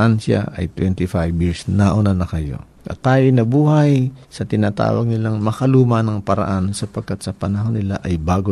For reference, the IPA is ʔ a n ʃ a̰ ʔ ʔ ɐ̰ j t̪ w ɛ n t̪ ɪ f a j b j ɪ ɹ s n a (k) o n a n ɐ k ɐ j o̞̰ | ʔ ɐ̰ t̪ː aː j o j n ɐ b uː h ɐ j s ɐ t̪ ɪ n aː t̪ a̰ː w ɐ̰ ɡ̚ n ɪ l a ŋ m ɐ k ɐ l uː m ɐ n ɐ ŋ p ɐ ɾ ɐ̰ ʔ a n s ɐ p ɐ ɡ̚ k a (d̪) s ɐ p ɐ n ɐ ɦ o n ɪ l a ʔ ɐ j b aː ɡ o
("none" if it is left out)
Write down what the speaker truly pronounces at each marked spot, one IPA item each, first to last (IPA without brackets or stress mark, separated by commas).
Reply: ʔ, t̪